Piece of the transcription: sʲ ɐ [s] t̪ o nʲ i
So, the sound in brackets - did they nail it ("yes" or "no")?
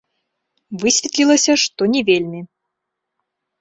no